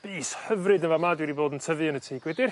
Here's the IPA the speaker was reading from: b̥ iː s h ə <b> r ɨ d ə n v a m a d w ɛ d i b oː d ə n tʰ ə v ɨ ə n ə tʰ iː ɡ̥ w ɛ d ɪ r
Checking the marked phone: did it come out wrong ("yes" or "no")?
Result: yes